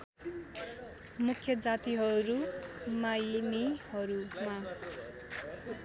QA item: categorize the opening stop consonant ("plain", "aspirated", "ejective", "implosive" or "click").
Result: aspirated